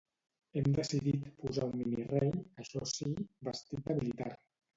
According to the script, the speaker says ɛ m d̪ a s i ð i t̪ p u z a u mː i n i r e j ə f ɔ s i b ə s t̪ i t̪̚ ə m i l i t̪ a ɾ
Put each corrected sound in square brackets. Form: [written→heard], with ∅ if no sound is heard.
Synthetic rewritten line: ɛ m d̪ [a→ə] s i ð i t̪ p u z a u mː i n i r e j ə [f→ʃ] ɔ s i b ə s t̪ i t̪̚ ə m i l i t̪ a ɾ